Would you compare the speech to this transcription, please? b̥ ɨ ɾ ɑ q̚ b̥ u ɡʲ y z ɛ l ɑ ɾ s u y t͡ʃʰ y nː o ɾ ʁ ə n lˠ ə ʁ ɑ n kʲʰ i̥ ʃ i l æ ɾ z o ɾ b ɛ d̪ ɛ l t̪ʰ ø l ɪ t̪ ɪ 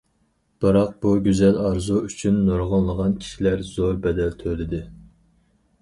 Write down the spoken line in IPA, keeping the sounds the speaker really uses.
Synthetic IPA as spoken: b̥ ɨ ɾ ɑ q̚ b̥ u ɡʲ y z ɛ l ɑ ɾ z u y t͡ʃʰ y nː o ɾ ʁ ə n lˠ ə ʁ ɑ n kʲʰ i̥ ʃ i l æ ɾ z o ɾ b ɛ d̪ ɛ l t̪ʰ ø l ɪ d̪ ɪ